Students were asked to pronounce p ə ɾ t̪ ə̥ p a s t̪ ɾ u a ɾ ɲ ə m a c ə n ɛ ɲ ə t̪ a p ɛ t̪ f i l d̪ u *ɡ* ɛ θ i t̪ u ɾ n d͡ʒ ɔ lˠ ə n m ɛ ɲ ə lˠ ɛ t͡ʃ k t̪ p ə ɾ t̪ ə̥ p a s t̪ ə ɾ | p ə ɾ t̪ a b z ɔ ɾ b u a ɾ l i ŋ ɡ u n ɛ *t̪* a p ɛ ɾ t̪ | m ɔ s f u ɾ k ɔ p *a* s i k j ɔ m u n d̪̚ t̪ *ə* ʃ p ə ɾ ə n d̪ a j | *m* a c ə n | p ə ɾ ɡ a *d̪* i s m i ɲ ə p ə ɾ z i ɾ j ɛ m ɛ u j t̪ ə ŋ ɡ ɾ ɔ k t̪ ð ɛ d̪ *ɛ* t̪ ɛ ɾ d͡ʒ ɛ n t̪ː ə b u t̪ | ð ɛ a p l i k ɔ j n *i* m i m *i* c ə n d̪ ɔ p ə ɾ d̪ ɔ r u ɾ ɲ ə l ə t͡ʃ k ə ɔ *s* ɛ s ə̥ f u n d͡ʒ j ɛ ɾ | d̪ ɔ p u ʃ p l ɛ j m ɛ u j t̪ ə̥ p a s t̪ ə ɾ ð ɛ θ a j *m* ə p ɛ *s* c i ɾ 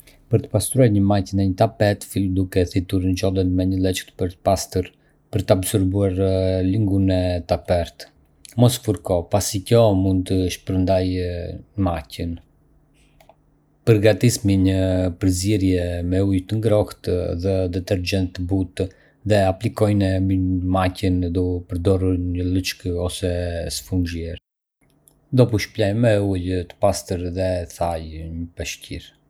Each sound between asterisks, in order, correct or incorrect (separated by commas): incorrect, correct, correct, correct, correct, incorrect, correct, incorrect, incorrect, correct, incorrect, incorrect